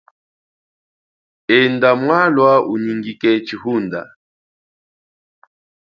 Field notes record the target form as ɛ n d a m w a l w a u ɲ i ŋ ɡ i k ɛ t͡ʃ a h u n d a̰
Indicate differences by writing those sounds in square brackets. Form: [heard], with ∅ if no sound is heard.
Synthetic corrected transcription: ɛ n d a m w a l w a u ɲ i ŋ ɡ i k ɛ t͡ʃ [i] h u n d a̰